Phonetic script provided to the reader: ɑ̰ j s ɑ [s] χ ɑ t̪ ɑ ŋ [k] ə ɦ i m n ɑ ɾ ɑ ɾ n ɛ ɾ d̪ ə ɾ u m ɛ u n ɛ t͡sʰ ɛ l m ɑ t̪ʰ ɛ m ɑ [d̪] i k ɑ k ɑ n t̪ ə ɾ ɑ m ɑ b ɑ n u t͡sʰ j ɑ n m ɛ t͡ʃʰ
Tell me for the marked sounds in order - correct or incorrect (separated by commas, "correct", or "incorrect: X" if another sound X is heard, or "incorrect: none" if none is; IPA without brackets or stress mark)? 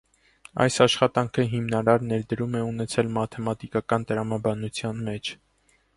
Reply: incorrect: ʃ, incorrect: kʰ, incorrect: t̪